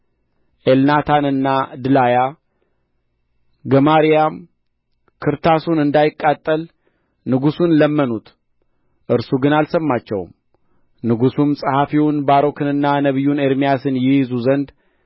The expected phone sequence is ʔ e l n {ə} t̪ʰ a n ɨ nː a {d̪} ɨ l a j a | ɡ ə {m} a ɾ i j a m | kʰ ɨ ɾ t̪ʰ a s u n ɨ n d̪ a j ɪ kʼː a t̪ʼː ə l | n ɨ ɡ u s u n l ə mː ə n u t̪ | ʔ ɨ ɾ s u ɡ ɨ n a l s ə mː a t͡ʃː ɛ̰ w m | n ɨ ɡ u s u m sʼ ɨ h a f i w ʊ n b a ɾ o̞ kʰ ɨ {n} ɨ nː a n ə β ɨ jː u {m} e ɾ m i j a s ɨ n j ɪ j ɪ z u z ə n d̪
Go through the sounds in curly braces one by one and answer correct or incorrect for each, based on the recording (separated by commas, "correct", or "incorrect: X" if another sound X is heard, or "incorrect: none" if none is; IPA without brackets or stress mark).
incorrect: a, correct, correct, correct, incorrect: n